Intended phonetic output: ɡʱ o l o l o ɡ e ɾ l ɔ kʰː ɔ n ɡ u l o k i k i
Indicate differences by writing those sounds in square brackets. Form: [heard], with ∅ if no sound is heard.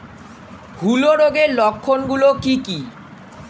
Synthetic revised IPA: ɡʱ [u] l o [ɾ] o ɡ e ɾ l ɔ kʰː [o] n ɡ u l o k i k i

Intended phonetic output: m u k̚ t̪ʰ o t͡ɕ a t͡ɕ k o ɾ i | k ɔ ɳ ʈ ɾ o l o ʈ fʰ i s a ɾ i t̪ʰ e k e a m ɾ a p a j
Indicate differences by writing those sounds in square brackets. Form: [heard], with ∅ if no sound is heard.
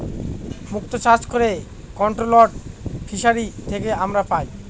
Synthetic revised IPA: m u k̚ [t̪] o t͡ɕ a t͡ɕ k o ɾ [e] | k ɔ ɳ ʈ ɾ o l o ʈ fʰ i [ʃ] a ɾ i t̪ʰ e k e a m ɾ a p a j

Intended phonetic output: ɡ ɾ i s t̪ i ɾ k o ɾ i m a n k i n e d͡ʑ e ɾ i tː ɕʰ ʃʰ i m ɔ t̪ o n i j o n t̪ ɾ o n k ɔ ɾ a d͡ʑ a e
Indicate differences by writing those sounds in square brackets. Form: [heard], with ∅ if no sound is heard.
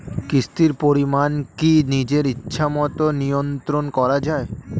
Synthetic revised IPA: [k] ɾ i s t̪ i ɾ [p] o ɾ i m a n k i n [i] d͡ʑ e ɾ i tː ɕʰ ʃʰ [a] m ɔ t̪ o n i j o n t̪ ɾ o n k ɔ ɾ a d͡ʑ a e

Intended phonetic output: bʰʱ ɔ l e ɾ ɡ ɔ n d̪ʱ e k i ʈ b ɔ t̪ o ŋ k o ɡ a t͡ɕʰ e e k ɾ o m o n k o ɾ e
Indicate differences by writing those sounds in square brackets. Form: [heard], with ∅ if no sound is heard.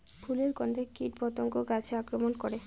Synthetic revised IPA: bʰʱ [u] l e ɾ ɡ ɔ n d̪ʱ e k i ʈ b ɔ t̪ o ŋ k o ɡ a t͡ɕʰ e [a] k ɾ o m o n k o ɾ e

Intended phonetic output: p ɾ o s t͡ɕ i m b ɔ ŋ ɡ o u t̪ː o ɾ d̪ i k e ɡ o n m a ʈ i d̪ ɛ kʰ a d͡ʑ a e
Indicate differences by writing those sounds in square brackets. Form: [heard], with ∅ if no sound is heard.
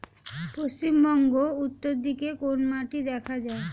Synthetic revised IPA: p ɾ o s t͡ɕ i m b ɔ ŋ ɡ o u t̪ː o ɾ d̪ i k e [k] o n m a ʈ i d̪ ɛ kʰ a d͡ʑ a e

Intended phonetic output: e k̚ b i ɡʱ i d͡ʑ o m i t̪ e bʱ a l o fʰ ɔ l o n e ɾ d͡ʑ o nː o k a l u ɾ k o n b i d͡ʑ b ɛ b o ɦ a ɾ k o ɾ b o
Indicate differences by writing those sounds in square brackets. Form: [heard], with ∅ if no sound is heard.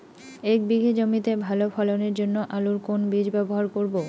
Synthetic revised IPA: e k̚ b i ɡʱ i d͡ʑ o m i t̪ e bʱ a l o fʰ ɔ l o n e ɾ d͡ʑ o nː o [ʔ] a l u ɾ k o n b i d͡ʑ b ɛ b o ɦ a ɾ k o ɾ b o

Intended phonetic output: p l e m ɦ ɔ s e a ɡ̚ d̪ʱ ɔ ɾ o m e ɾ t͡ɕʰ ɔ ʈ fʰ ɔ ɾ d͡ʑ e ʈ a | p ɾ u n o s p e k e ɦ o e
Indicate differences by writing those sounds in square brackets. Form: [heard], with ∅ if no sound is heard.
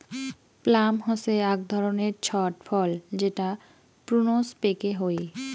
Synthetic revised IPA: p l [a] m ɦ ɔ s e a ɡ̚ d̪ʱ ɔ ɾ o [n] e ɾ t͡ɕʰ ɔ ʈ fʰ ɔ [l] d͡ʑ e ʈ a | p ɾ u n o s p e k e ɦ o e

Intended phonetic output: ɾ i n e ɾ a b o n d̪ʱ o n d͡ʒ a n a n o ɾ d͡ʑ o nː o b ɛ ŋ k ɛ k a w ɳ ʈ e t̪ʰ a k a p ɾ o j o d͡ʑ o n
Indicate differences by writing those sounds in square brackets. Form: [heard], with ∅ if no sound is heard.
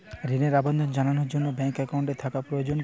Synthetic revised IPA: ɾ i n e ɾ a b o n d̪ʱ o n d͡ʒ a n a n o ɾ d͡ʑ o nː o b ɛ ŋ k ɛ k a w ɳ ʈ e t̪ʰ a k a p ɾ o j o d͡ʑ o n

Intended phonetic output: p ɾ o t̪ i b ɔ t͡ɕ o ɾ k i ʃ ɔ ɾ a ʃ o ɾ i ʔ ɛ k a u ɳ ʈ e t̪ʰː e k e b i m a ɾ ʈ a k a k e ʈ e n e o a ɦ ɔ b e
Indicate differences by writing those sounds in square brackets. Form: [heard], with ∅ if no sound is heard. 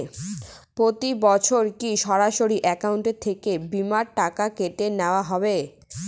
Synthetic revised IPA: p ɾ o t̪ i b ɔ [t͡ɕʰ] o ɾ k i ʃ ɔ ɾ a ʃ o ɾ i ʔ ɛ k a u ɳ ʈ e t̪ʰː e k e b i m a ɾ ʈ a k a k e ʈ e n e o a ɦ ɔ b e

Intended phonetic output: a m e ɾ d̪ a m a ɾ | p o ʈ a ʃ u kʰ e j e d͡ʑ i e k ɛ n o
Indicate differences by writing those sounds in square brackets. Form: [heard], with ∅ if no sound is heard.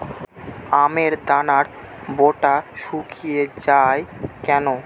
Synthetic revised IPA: a m e ɾ d̪ a [n] a ɾ | [b] o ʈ a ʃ u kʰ [i] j e d͡ʑ [a] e k ɛ n o

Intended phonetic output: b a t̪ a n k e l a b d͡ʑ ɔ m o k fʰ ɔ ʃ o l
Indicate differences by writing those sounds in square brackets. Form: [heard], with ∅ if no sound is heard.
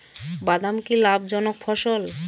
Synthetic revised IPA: b a [d̪] a [m] k [i] l a b d͡ʑ ɔ [n] o k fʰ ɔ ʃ o l

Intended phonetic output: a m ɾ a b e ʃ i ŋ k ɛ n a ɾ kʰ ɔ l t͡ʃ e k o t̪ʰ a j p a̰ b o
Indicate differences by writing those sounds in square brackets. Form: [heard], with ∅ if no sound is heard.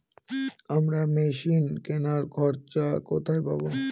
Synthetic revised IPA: a m ɾ a [m] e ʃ i [n] k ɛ n a ɾ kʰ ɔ [ɾ] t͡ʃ [a] k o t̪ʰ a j p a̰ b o

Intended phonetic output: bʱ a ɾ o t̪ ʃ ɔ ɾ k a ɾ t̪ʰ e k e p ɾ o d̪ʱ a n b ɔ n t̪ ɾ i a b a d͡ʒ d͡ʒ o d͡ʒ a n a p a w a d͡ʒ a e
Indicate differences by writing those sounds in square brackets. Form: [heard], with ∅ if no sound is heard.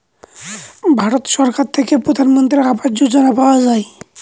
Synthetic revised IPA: bʱ a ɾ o t̪ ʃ ɔ ɾ k a ɾ t̪ʰ e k e p ɾ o d̪ʱ a n [m] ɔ n t̪ ɾ i a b a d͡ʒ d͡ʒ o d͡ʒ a n a p a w a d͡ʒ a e

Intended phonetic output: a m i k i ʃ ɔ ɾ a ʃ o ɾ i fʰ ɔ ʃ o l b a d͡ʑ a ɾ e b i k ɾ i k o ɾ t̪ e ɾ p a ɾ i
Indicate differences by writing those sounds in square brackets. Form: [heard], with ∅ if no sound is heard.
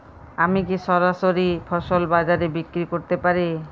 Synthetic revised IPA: a m i k i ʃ ɔ ɾ a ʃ o ɾ i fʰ ɔ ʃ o l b a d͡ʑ a ɾ e b i k ɾ i k o ɾ t̪ e [∅] p a ɾ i

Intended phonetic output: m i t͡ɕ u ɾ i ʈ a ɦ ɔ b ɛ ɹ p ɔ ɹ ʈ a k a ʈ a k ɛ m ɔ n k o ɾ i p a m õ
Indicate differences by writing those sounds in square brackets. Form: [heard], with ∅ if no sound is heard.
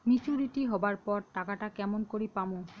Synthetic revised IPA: m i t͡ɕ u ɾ i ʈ [i] ɦ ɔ b [a] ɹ p ɔ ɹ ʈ a k a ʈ a k ɛ m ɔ n k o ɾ i p a m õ

